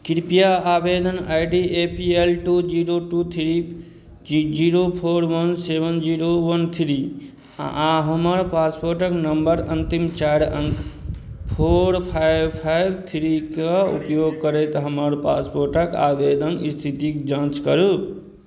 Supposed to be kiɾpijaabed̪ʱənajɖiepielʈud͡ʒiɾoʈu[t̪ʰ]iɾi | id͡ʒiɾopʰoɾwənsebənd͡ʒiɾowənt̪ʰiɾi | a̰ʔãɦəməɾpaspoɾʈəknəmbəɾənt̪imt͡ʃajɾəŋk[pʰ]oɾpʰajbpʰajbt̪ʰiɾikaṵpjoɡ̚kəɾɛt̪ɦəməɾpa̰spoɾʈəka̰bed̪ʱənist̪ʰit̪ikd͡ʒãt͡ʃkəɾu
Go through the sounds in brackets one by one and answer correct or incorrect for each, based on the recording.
correct, correct

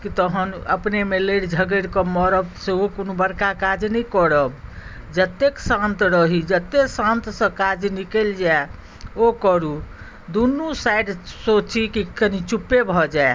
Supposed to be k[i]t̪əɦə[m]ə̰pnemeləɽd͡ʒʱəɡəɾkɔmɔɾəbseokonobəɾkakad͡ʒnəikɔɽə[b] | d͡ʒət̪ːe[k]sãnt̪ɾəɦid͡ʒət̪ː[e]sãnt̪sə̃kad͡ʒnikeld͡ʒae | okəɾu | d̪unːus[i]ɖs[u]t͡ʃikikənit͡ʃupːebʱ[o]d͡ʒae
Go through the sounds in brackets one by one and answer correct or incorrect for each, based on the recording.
correct, incorrect: n, correct, correct, correct, incorrect: a, incorrect: o, incorrect: ɔ

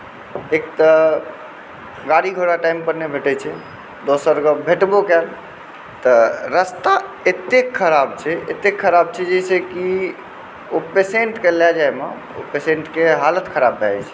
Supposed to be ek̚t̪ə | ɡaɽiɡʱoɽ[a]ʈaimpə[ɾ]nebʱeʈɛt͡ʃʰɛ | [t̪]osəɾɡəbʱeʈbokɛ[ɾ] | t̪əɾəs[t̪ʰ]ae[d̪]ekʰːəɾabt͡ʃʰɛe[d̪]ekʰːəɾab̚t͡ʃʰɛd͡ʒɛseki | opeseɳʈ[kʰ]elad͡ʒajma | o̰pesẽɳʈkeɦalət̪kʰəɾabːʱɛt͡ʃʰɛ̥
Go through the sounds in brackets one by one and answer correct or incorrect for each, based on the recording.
correct, correct, incorrect: d̪, incorrect: l, incorrect: t̪, incorrect: t̪, incorrect: t̪, incorrect: k

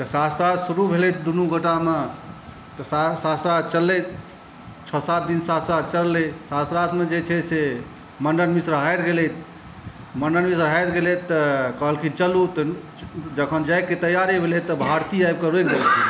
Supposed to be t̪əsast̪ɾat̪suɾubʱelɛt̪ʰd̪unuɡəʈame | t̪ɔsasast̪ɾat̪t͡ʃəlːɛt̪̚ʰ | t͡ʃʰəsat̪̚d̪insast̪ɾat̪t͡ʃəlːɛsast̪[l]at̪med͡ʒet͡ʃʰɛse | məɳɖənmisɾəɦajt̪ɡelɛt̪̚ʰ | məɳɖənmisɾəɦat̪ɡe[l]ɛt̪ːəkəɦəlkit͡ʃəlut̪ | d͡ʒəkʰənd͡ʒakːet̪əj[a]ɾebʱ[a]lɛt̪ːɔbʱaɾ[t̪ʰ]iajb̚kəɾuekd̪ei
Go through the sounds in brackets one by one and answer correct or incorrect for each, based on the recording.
incorrect: ɾ, correct, correct, incorrect: e, incorrect: t̪

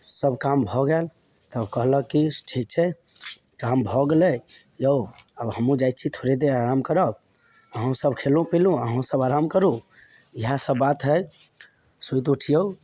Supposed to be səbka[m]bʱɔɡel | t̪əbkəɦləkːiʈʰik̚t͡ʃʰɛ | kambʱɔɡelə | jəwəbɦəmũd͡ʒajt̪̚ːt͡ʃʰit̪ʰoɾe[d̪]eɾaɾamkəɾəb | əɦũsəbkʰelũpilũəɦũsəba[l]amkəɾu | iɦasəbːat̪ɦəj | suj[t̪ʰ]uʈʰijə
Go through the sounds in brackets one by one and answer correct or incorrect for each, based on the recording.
correct, correct, incorrect: ɾ, incorrect: t̪

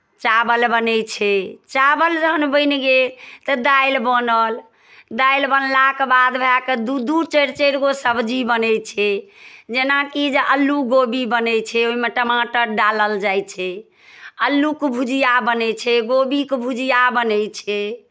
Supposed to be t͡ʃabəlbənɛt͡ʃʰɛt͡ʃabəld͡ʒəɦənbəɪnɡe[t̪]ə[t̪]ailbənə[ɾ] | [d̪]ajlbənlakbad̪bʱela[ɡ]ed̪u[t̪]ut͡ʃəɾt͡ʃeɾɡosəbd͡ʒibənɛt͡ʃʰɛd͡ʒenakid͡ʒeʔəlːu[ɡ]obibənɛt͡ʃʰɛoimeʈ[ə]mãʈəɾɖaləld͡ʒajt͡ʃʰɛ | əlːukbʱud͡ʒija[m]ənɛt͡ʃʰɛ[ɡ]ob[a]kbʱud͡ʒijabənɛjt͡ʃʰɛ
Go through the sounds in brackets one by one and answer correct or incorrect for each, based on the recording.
correct, incorrect: d̪, incorrect: l, correct, incorrect: k, incorrect: d̪, correct, correct, incorrect: b, correct, incorrect: i

